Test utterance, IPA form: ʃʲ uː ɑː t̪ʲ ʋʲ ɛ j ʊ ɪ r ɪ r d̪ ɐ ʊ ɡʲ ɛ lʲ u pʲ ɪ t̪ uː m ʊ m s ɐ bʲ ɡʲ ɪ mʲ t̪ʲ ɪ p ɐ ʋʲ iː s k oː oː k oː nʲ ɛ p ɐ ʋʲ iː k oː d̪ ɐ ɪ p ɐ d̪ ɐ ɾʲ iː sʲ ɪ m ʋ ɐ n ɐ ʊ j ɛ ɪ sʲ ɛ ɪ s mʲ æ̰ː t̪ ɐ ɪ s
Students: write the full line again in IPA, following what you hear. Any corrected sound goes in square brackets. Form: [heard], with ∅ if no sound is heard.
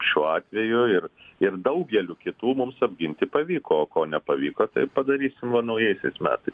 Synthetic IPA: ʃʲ uː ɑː t̪ʲ ʋʲ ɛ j ʊ ɪ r ɪ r d̪ ɐ ʊ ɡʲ ɛ lʲ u [kʲ] ɪ t̪ uː m ʊ m s ɐ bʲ ɡʲ ɪ [nʲ] t̪ʲ ɪ p ɐ ʋʲ iː [∅] k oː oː k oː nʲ ɛ p ɐ ʋʲ iː k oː [t̪] ɐ ɪ p ɐ d̪ ɐ ɾʲ iː sʲ ɪ m ʋ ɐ n ɐ ʊ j ɛ ɪ sʲ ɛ ɪ s mʲ æ̰ː t̪ ɐ ɪ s

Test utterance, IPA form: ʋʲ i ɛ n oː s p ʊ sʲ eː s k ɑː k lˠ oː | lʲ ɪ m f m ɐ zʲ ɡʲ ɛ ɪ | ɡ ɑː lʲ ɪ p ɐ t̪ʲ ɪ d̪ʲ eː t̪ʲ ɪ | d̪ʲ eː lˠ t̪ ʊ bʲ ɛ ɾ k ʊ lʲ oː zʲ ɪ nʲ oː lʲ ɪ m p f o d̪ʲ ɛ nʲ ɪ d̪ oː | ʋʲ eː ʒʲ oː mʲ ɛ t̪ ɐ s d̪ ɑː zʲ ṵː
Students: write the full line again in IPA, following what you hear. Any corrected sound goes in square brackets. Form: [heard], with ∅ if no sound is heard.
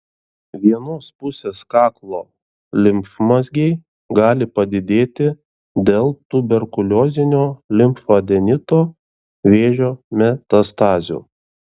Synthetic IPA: ʋʲ i ɛ n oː s p ʊ sʲ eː s k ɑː k lˠ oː | lʲ ɪ m f m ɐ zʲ ɡʲ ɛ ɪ | ɡ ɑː lʲ ɪ p ɐ [d̪ʲ] ɪ d̪ʲ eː t̪ʲ ɪ | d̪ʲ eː lˠ t̪ ʊ bʲ ɛ ɾ k ʊ lʲ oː zʲ ɪ nʲ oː lʲ ɪ m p f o d̪ʲ ɛ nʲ ɪ [t̪] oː | ʋʲ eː ʒʲ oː mʲ ɛ t̪ ɐ s [t̪] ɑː zʲ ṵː

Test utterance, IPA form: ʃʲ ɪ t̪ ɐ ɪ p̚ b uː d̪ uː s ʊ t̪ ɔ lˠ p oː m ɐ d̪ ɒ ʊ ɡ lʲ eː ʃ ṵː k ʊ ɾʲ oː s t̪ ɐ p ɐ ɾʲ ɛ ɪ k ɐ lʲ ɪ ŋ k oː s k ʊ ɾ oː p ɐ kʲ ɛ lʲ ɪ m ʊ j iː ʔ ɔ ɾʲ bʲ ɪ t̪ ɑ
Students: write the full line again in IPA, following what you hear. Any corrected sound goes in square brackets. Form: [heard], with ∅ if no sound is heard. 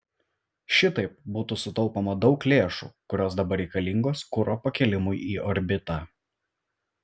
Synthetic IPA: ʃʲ ɪ t̪ ɐ ɪ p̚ b uː [t̪] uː s ʊ t̪ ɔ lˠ p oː m ɐ d̪ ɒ ʊ [k] lʲ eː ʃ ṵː k ʊ ɾʲ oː s [d̪] ɐ [b] ɐ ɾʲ ɛ ɪ k ɐ lʲ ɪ ŋ [ɡ] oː s k ʊ ɾ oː p ɐ kʲ ɛ lʲ ɪ m ʊ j iː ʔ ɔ ɾʲ bʲ ɪ t̪ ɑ

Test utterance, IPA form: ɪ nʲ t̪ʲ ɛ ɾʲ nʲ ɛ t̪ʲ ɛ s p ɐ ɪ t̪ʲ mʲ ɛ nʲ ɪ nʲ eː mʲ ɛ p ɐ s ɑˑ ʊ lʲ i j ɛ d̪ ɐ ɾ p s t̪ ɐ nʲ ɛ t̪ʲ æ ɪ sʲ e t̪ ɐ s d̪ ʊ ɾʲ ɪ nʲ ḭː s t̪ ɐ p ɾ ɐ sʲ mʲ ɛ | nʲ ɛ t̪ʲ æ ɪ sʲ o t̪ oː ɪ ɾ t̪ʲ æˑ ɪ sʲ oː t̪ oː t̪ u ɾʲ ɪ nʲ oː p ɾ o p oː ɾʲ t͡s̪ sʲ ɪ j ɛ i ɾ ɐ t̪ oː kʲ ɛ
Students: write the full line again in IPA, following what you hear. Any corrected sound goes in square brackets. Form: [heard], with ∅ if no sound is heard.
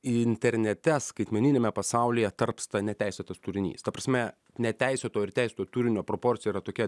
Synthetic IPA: ɪ nʲ t̪ʲ ɛ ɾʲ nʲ ɛ t̪ʲ ɛ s [k] ɐ ɪ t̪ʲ mʲ ɛ nʲ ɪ nʲ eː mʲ ɛ p ɐ s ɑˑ ʊ lʲ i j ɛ [t̪] ɐ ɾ p s t̪ ɐ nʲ ɛ t̪ʲ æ ɪ sʲ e t̪ ɐ s [t̪] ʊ ɾʲ ɪ nʲ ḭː s t̪ ɐ p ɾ ɐ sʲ mʲ ɛ | nʲ ɛ t̪ʲ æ ɪ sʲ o t̪ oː ɪ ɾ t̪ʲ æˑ ɪ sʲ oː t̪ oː t̪ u ɾʲ ɪ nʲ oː p ɾ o p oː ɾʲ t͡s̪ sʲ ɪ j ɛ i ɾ ɐ t̪ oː kʲ ɛ

